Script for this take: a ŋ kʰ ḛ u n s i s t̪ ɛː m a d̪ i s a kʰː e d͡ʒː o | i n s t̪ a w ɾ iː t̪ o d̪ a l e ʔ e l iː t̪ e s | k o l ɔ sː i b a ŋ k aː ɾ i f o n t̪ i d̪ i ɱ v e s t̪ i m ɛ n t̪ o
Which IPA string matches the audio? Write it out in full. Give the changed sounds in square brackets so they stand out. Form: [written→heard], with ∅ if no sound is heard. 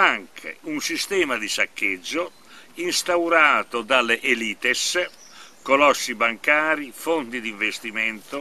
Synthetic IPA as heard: a ŋ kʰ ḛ u n s i s t̪ ɛː m a d̪ i s a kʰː e d͡ʒː o | i n s t̪ a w ɾ [iː→aː] t̪ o d̪ a l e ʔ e l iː t̪ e s | k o l ɔ sː i b a ŋ k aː ɾ i f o n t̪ i d̪ i ɱ v e s t̪ i m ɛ n t̪ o

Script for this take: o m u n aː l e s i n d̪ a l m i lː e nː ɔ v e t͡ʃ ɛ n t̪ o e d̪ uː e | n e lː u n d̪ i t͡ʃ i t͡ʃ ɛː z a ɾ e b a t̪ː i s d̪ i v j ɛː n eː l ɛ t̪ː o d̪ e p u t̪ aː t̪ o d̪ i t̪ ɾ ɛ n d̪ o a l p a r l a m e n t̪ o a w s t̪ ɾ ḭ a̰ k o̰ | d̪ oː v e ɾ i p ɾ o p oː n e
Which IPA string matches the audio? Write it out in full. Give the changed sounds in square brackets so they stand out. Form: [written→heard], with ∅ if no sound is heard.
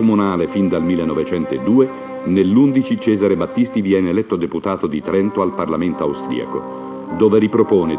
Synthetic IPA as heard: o m u n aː l e [s→f] i n d̪ a l m i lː e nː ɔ v e t͡ʃ ɛ n t̪ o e d̪ uː e | n e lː u n d̪ i t͡ʃ i t͡ʃ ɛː z a ɾ e b a t̪ː i s [d̪→t̪] i v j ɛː n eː l ɛ t̪ː o d̪ e p u t̪ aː t̪ o d̪ i t̪ ɾ ɛ n [d̪→t̪] o a l p a r l a m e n t̪ o a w s t̪ ɾ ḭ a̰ k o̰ | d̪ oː v e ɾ i p ɾ o p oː n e

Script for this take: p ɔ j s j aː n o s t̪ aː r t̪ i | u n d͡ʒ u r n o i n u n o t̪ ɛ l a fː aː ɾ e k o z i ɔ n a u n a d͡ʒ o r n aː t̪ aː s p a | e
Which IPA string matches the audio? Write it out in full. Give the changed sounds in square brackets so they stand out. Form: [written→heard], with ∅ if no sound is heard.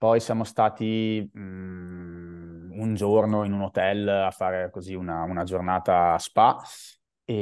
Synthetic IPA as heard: p ɔ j s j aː [n→m] o s t̪ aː [r→∅] t̪ i | u n d͡ʒ [u→o] r n o i n u n o t̪ ɛ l a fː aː ɾ e k o z i [ɔ→u] n a u n a d͡ʒ o r n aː t̪ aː s p a | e

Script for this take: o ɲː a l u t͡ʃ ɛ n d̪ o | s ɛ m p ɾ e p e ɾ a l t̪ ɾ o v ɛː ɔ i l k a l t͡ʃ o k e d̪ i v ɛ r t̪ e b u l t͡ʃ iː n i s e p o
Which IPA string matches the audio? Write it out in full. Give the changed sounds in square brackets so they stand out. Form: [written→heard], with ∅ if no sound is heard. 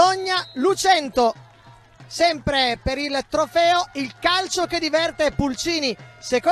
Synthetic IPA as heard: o ɲː a l u t͡ʃ ɛ n [d̪→t̪] o | s ɛ m p ɾ e p e ɾ [a→i] l t̪ ɾ o [v→f] ɛː [ɔ→o] i l k a l t͡ʃ o k e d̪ i v ɛ r t̪ e [b→p] u l t͡ʃ iː n i s e [p→k] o

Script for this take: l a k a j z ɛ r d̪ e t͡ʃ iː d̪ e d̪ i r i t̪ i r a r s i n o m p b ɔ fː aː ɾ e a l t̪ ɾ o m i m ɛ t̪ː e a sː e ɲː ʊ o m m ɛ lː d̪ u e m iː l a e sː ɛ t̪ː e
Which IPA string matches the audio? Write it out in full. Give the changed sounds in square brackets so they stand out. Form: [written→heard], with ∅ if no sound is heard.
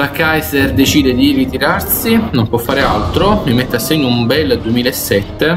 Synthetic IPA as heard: l a k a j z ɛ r d̪ e t͡ʃ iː d̪ e d̪ i r i t̪ i [r→ɾ] a r s i n o m p [b→w] ɔ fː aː ɾ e a l t̪ ɾ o m i m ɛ t̪ː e a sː e ɲː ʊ [o→u] m [m→b] ɛ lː d̪ u e m iː l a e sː ɛ t̪ː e

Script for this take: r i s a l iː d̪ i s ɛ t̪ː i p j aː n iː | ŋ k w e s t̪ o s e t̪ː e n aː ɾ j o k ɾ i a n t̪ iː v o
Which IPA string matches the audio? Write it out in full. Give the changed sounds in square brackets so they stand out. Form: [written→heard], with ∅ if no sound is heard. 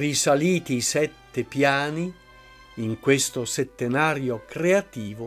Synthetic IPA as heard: r i s a l iː [d̪→t̪] i s ɛ t̪ː [i→e] p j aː n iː | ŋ k w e s t̪ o s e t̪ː e n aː ɾ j o k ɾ [i→e] a [n→∅] t̪ iː v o

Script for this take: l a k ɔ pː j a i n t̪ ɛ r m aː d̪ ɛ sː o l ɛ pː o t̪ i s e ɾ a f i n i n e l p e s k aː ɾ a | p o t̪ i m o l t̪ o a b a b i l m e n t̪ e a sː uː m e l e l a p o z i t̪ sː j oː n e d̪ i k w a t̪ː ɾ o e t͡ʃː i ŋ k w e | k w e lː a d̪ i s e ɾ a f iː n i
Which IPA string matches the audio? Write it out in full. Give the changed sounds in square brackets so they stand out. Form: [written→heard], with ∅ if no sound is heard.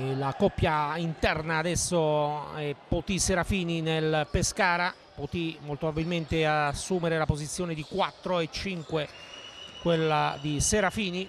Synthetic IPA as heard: l a k ɔ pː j a i n t̪ ɛ r [m→n] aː d̪ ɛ sː o [l→∅] ɛ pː o t̪ i s e ɾ a f [i→iː] n i n e l p e s k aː ɾ a | p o t̪ i m o l t̪ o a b a b i l m e n t̪ e a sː uː m e [l→ɾ] e l a p o z i t̪ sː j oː n e d̪ i k w a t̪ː ɾ o e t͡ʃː i ŋ k w e | k w e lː a d̪ i s e ɾ a f iː n i

